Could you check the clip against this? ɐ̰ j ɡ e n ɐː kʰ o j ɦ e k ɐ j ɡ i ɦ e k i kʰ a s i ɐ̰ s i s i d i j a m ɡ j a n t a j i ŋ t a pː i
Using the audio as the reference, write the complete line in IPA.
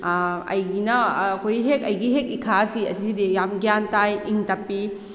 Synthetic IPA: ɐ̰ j ɡ i n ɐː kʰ o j ɦ e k ɐ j ɡ i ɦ e k i kʰ a s i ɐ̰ s i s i d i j a m ɡ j a n t a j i ŋ t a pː i